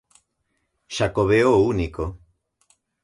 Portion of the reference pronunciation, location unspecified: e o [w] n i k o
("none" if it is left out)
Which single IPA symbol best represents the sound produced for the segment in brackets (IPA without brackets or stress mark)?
u